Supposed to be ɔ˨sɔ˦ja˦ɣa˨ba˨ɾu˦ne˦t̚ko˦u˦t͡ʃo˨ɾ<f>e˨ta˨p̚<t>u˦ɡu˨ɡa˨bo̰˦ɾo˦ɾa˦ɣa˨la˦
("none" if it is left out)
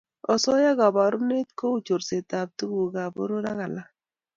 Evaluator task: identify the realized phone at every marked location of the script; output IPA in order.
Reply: s, t

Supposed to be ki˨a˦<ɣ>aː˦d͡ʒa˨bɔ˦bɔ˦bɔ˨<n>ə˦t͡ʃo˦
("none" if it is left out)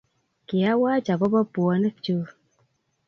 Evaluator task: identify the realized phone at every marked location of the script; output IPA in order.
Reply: w, n

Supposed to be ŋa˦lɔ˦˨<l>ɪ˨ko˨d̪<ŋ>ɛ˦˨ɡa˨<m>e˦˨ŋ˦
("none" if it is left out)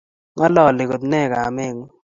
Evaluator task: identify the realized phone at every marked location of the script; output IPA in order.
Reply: l, n, m

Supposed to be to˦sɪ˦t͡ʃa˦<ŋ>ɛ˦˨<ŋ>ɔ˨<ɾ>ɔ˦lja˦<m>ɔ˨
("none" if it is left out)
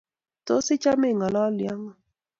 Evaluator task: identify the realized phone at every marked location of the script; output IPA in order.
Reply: m, ŋ, l, ŋ

